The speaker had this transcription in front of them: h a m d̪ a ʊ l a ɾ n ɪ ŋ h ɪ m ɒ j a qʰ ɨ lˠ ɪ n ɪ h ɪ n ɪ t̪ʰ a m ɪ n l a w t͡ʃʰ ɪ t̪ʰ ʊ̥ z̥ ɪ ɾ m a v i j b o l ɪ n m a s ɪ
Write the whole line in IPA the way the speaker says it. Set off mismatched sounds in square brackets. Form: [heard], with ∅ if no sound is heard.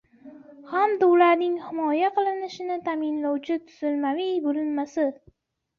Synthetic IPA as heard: h a m d̪ a ʊ l a ɾ n ɪ ŋ h ɪ m ɒ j a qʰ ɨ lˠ ɪ n ɪ [ʃ] ɪ n ɪ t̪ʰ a m ɪ n l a w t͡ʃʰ ɪ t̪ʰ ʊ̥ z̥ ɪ [l] m a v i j b o l ɪ n m a s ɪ